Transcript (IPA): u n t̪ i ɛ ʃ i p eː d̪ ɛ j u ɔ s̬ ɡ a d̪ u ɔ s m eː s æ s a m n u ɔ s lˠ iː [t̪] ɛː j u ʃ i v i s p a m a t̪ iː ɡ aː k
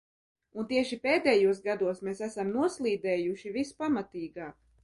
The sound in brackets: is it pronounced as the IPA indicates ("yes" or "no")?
no